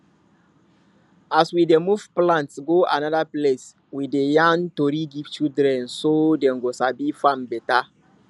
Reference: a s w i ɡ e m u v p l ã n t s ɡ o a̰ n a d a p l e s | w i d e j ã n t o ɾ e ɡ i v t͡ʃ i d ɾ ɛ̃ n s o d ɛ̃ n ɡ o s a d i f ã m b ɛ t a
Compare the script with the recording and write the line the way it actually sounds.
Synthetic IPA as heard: a s w i d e m u v p l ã n t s ɡ o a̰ n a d a p l e s | w i d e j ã n t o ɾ i ɡ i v t͡ʃ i d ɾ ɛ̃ n s o d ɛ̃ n ɡ o s a b i f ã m b ɛ t a